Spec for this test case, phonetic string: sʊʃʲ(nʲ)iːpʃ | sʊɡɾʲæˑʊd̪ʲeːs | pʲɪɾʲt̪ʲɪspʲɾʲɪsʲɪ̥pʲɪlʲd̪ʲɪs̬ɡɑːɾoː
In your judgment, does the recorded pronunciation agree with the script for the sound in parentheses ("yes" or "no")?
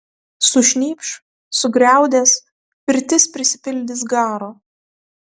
yes